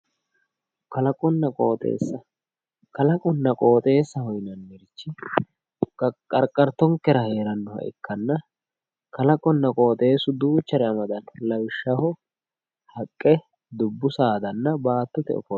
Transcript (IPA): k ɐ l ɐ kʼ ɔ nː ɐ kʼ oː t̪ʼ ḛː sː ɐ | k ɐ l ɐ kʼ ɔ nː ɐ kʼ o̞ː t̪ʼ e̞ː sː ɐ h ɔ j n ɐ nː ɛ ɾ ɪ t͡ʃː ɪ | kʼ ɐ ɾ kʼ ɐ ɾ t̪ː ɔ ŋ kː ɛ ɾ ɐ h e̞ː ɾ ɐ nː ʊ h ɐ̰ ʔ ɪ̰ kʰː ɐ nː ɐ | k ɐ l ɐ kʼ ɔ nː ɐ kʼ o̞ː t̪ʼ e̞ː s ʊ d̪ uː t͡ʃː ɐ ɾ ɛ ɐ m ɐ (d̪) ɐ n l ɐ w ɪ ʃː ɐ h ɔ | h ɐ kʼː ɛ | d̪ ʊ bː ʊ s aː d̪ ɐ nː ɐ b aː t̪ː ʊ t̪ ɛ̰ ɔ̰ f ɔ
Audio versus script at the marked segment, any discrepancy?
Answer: no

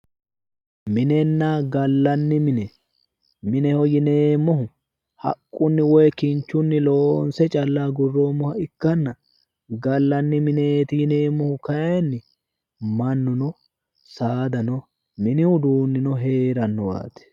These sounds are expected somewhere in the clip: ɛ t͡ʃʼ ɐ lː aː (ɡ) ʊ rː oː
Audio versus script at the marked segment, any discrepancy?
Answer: no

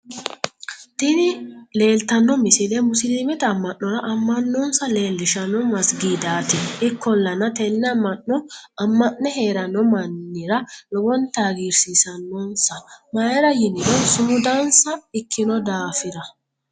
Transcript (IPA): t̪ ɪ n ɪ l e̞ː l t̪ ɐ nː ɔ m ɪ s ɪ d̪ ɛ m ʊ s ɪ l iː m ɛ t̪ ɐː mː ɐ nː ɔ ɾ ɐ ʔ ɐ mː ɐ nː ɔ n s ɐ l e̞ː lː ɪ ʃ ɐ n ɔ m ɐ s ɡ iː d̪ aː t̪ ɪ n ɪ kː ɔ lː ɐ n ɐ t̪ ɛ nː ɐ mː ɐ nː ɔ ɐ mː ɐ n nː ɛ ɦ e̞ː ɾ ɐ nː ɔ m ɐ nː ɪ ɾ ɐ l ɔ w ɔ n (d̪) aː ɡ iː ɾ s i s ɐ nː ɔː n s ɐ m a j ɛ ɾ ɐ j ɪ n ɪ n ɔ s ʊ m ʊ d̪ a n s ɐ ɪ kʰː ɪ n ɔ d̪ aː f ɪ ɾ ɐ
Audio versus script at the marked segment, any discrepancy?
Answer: yes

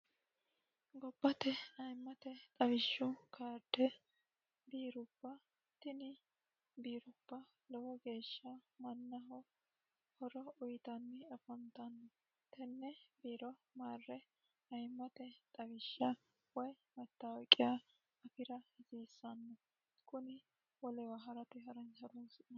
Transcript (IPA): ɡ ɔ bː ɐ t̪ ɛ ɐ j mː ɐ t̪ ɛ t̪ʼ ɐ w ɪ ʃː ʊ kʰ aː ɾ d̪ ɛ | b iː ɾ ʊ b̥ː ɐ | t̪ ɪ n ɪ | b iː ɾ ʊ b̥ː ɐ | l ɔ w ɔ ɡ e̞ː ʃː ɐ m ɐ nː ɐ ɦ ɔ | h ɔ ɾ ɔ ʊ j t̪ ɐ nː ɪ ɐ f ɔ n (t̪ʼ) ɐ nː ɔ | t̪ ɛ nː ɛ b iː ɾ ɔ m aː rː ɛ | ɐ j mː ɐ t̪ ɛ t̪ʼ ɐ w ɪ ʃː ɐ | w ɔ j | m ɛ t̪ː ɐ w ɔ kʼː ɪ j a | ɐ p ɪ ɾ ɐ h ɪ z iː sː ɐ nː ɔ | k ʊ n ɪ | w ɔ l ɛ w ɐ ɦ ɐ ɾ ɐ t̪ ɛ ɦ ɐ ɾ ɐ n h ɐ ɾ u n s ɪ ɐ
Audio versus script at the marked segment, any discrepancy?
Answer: yes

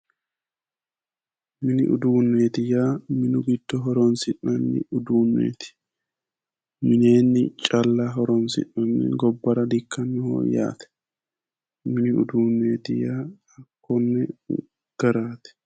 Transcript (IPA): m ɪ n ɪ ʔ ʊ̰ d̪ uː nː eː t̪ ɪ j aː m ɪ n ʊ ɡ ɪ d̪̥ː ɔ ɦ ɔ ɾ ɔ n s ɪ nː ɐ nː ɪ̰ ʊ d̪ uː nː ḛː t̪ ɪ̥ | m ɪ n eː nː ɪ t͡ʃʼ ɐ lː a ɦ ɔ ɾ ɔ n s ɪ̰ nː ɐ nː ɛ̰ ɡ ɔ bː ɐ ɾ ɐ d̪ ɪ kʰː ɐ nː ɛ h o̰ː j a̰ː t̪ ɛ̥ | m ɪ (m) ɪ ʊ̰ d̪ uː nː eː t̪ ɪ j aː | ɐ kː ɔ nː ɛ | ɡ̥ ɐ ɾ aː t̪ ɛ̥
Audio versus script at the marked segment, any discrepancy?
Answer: yes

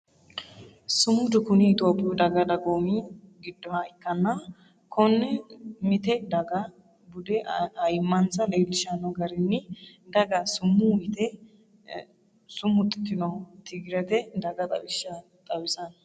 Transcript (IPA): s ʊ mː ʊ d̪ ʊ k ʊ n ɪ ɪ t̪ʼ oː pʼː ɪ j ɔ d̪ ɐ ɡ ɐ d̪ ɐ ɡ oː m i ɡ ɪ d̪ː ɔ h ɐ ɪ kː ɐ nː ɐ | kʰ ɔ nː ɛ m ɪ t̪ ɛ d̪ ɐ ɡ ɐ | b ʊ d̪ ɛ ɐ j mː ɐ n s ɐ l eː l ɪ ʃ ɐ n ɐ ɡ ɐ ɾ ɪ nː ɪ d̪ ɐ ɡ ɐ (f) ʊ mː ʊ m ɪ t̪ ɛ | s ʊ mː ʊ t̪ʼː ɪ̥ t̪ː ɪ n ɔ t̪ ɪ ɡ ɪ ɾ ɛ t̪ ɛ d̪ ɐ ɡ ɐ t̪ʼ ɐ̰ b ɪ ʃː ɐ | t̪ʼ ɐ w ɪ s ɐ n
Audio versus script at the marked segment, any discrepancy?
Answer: yes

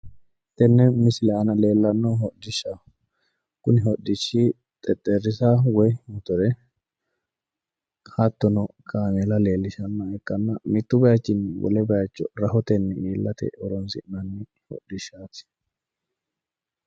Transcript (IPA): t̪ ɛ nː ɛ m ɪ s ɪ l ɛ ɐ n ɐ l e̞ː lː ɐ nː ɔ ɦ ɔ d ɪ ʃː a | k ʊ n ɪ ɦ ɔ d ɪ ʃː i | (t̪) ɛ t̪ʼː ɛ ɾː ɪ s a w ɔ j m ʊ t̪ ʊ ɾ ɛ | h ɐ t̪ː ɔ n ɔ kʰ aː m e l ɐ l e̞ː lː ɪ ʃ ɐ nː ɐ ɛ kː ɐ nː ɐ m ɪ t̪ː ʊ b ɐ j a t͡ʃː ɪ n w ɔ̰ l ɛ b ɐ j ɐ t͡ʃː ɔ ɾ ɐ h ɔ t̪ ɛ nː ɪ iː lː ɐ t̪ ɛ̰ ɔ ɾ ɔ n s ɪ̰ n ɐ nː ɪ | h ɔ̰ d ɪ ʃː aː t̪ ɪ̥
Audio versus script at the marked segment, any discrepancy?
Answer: yes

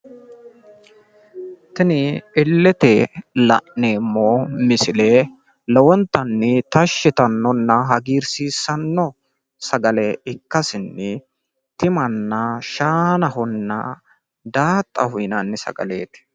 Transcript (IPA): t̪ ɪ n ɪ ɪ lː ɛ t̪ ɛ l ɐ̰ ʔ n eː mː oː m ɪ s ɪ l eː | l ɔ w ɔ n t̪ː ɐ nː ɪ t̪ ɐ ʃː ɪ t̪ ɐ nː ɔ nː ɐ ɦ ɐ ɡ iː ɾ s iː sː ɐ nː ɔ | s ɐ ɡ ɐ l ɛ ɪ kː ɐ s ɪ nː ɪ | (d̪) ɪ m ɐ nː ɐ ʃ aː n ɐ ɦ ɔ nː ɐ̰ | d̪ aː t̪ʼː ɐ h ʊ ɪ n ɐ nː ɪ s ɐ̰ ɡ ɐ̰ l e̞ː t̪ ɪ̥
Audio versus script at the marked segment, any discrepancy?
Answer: yes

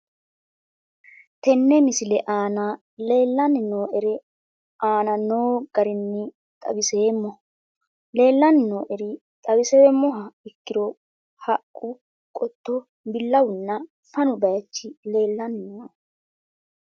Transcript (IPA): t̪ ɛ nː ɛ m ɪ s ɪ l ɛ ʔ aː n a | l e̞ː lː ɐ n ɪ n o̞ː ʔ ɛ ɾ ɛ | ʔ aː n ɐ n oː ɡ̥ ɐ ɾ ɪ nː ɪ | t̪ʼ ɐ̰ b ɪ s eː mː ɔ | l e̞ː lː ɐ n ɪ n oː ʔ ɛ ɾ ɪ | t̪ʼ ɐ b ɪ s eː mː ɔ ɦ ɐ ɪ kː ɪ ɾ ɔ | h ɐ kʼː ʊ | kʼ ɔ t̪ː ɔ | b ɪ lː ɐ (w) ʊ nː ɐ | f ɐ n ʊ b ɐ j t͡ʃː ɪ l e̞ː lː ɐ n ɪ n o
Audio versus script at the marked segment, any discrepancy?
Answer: no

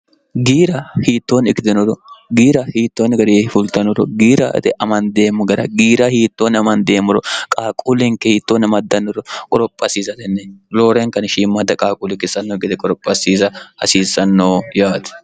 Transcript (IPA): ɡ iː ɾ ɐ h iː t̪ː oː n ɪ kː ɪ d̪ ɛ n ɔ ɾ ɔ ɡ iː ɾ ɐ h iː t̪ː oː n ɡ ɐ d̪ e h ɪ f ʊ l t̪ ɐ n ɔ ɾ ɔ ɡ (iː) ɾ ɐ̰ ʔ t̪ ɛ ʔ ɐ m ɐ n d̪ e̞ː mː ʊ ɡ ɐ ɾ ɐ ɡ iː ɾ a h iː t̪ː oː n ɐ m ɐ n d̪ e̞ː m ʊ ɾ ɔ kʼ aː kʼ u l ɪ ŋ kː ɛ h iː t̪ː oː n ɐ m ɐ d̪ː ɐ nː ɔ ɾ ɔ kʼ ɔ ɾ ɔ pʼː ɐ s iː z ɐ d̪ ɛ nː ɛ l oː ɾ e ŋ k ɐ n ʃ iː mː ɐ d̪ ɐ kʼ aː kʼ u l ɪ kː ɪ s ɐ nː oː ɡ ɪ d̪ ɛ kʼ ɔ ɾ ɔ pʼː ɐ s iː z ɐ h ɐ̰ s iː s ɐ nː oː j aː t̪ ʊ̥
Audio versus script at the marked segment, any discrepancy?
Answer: no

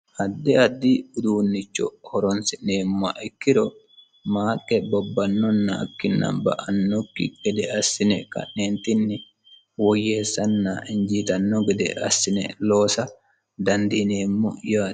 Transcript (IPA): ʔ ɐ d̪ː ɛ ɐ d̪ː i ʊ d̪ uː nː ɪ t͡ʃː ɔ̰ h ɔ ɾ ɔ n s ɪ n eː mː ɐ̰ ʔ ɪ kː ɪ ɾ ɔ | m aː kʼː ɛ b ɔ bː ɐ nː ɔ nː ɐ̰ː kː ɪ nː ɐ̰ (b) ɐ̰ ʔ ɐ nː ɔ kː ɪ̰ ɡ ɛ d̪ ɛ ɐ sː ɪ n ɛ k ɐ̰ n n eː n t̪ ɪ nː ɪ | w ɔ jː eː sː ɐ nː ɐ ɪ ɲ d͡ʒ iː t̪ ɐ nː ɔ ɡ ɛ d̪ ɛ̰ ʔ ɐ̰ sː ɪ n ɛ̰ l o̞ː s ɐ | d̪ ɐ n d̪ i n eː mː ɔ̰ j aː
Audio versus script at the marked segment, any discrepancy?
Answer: no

